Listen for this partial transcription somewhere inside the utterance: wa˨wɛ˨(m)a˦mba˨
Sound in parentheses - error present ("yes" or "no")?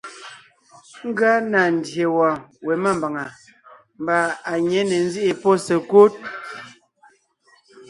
no